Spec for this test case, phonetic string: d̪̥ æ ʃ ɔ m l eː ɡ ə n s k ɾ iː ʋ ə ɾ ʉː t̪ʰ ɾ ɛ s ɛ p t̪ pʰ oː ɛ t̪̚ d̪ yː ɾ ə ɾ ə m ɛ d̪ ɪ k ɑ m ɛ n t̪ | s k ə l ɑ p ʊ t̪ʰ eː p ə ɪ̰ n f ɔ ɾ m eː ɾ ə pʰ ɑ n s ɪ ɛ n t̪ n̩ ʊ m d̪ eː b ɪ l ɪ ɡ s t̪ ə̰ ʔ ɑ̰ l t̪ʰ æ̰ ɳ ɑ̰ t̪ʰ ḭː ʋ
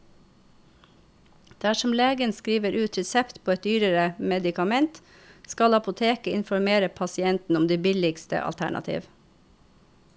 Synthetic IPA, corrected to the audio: d̪̥ æ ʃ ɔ m l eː ɡ ə n s k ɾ iː ʋ ə ɾ ʉː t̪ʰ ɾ ɛ s ɛ p t̪ pʰ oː ɛ t̪̚ d̪ yː ɾ ə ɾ ə m ɛ d̪ ɪ k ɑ m ɛ n t̪ | s k ɑ l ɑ p ʊ t̪ʰ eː k ə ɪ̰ n f ɔ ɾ m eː ɾ ə pʰ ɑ s ɪ ɛ n t̪ n̩ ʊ m d̪ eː b ɪ l ɪ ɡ s t̪ ə̰ ʔ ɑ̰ l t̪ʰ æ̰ ɳ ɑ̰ t̪ʰ ḭː ʋ

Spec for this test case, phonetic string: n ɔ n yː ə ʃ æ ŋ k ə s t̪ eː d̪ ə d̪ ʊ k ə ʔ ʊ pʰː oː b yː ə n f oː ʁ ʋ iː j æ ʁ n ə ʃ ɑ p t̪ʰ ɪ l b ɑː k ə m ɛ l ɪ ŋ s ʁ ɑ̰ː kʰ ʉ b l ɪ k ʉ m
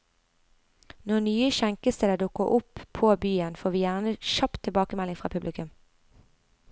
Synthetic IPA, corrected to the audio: n ɔ n yː ə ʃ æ ŋ k ə s t̪ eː d̪ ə d̪ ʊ k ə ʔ ʊ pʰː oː b yː ə n f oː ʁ ʋ iː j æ ʁ n ə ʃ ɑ p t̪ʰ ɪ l b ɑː k ə m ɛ l ɪ ŋ f ʁ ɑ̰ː pʰ ʉ b l ɪ k ʉ m

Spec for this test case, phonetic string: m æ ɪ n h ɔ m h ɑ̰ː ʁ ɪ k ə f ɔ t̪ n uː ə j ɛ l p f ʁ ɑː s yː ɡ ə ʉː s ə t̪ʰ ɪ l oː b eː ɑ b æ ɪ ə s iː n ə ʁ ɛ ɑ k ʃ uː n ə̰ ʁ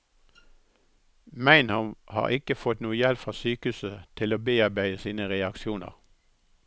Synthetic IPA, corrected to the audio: m æ ɪ n h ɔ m h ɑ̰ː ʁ ɪ k ə f ɔ t̪ n uː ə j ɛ l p f ʁ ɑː s yː k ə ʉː s ə t̪ʰ ɪ l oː b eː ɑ b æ ɪ ə s iː n ə ʁ ɛ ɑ k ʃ uː n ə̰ ʁ

